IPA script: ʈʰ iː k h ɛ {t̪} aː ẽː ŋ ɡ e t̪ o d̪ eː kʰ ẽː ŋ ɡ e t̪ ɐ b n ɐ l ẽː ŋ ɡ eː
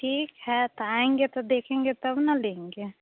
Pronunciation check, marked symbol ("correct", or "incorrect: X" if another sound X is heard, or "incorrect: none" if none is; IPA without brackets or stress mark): correct